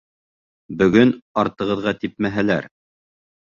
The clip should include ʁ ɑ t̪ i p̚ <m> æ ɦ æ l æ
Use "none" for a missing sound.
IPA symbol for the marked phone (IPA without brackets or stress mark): m